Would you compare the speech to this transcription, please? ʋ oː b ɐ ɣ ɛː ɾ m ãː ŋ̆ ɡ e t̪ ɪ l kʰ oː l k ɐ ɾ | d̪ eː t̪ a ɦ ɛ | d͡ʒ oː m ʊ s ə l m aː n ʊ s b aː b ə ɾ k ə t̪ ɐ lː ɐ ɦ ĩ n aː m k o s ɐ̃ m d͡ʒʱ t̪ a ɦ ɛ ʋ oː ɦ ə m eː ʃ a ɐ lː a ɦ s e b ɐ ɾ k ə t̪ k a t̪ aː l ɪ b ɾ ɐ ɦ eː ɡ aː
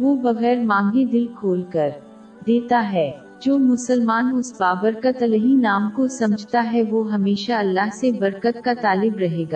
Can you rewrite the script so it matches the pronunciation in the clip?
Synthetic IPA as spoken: ʋ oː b ɐ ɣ ɛː ɾ m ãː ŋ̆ ɡ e d̪ ɪ l kʰ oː l k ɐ ɾ | d̪ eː t̪ a ɦ ɛ | d͡ʒ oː m ʊ s ə l m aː n ʊ s b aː b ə ɾ k ə t̪ ɐ l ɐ ɦ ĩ n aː m k o s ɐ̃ m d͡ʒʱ t̪ a ɦ ɛ ʋ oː ɦ ɐ m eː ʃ a ɐ lː a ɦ s e b ɐ ɾ k ə t̪ k a t̪ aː l ɪ b ɾ ɐ ɦ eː ɡ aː